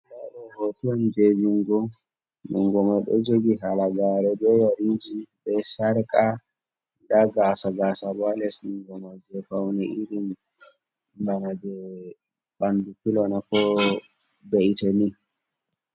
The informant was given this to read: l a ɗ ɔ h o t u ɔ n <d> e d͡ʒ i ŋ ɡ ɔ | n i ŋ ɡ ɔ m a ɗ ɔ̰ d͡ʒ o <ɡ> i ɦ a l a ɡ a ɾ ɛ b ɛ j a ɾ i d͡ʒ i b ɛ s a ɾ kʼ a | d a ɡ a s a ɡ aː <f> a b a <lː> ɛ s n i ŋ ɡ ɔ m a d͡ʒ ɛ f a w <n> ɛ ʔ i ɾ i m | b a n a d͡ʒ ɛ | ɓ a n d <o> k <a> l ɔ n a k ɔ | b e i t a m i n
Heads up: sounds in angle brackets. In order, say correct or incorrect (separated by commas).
incorrect, correct, incorrect, incorrect, correct, incorrect, incorrect